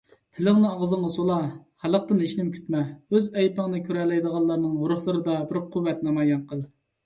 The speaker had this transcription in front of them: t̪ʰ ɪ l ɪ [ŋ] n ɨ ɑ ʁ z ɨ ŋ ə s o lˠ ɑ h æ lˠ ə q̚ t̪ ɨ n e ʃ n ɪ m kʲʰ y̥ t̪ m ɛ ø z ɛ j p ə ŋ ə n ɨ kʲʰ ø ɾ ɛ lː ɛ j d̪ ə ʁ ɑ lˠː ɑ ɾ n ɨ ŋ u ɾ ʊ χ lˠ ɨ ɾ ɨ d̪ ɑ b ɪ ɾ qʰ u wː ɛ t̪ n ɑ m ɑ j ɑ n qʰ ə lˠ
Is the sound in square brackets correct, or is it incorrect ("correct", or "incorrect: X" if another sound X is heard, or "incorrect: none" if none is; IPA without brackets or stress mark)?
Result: correct